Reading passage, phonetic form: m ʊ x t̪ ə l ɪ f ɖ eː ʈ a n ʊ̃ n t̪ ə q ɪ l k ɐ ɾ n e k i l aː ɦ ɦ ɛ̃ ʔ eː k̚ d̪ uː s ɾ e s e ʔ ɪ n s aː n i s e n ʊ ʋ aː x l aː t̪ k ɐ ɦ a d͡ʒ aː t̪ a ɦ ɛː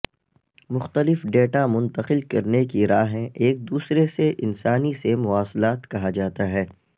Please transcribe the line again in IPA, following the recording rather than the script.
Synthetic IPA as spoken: m ʊ x t̪ ə l ɪ f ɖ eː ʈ a m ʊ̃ n t̪ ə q ɪ l k ɐ ɾ n e k i ɾ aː ɦ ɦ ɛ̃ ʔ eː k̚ d̪ uː s ɾ e s e ʔ ɪ n s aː n i s e m ʊ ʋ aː s l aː t̪ k ɐ ɦ a d͡ʒ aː t̪ a ɦ ɛː